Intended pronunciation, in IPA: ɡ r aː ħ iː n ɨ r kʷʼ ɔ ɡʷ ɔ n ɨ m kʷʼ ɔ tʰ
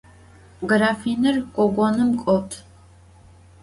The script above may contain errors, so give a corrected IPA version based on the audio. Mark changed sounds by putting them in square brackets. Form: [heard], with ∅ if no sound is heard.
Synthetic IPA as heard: ɡ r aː [f] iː n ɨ r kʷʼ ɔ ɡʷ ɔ n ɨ m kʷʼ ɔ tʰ